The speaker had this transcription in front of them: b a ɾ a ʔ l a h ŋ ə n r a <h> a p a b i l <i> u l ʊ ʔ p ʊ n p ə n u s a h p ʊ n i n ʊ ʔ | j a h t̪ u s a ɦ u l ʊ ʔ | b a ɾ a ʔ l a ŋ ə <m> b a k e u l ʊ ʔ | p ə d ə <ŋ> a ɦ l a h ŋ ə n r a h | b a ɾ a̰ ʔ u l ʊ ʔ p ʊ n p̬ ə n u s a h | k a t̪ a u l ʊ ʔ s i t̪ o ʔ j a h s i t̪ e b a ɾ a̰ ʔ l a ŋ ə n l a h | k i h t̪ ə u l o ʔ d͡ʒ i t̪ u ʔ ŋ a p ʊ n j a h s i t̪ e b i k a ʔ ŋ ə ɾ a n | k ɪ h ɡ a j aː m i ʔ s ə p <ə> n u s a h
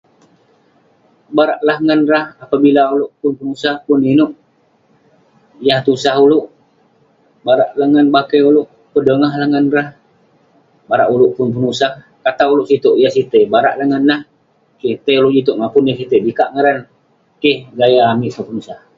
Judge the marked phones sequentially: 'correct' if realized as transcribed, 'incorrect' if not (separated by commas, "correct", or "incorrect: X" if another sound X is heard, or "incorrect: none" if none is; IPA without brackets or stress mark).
correct, incorrect: a, incorrect: n, correct, correct